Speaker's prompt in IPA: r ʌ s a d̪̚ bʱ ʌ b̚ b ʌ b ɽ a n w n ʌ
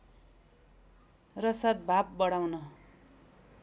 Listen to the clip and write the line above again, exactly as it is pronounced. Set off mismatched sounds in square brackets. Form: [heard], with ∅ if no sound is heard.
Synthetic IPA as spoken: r ʌ s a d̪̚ bʱ [a] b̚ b ʌ [∅] ɽ a [∅] w n ʌ